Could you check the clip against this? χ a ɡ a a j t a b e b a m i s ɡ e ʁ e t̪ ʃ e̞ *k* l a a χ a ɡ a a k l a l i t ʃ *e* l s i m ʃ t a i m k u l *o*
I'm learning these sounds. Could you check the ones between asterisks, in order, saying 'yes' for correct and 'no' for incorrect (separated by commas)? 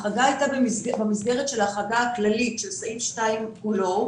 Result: no, yes, yes